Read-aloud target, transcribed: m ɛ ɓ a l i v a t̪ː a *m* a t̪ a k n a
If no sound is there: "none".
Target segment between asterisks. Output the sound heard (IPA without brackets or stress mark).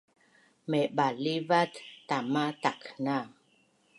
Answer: m